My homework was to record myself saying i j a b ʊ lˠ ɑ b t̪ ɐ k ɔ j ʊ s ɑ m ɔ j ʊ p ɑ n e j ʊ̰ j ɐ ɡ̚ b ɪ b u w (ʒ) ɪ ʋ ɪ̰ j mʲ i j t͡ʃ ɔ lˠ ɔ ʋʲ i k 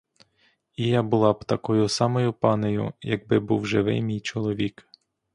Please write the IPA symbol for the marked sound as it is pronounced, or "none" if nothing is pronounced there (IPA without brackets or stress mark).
ʒ